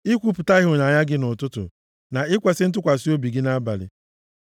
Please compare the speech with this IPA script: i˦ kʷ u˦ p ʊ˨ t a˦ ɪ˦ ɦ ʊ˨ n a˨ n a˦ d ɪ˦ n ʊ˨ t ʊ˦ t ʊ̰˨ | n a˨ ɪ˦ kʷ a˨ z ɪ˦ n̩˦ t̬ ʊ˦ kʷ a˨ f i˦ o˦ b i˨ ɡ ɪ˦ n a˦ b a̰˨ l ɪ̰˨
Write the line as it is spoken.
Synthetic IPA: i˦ kʷ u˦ p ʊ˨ t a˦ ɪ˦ ɦ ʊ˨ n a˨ ɲ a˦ ɡ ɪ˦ n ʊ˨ t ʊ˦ t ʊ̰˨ | n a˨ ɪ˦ kʷ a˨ s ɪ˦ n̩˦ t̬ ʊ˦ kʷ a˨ s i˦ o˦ b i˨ ɡ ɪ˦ n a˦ b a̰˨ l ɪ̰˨